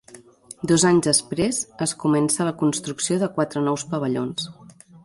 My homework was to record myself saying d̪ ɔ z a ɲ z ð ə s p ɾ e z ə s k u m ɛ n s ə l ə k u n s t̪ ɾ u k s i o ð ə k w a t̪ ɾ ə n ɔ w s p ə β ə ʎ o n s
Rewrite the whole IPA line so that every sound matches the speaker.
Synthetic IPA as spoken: d̪ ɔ z a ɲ z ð ə s p ɾ e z ə s k u m ɛ n s ə l ə k u n s t̪ ɾ u k s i o ð ə k w a t̪ ɾ ə n ɔ w s p ə β ə ʎ o n s